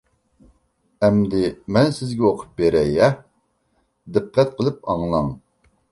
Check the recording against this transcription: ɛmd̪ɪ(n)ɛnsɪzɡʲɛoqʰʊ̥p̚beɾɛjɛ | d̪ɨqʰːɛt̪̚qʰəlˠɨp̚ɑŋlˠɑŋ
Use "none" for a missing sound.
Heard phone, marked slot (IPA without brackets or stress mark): m